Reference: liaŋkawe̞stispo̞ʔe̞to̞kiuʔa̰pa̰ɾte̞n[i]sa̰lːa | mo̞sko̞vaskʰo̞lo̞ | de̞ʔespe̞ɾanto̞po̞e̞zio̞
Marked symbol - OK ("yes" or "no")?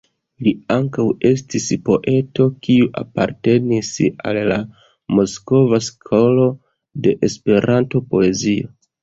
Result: yes